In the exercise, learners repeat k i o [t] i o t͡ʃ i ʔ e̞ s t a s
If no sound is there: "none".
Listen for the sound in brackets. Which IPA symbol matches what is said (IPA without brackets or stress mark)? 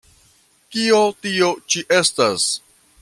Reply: t